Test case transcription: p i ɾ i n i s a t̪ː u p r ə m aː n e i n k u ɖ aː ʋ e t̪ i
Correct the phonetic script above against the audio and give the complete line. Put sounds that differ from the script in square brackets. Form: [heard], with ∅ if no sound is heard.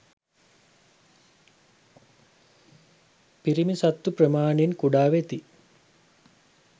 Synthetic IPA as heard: p i ɾ i [m] i s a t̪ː u p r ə m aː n e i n k u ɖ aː ʋ e t̪ i